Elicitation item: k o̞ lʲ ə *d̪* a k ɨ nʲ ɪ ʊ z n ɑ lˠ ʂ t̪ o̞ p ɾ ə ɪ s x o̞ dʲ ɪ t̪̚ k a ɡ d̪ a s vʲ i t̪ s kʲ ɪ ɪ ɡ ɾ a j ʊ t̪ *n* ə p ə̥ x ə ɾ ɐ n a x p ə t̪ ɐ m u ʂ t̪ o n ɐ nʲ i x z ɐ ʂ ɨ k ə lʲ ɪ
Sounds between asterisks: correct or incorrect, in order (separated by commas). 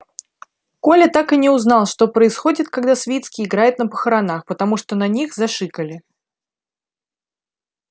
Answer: incorrect, correct